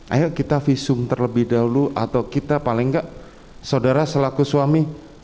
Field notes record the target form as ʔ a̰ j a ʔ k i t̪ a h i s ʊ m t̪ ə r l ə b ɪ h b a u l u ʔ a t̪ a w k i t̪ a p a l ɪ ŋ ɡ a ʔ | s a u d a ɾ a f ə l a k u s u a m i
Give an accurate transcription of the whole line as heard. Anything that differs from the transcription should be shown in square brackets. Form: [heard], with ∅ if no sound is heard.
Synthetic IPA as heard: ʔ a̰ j a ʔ k i t̪ a [f] i s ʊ m t̪ ə r l ə b ɪ h [d] a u l u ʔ a t̪ a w k i t̪ a p a l ɪ ŋ ɡ a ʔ | s a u d a ɾ a [s] ə l a k u s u a m i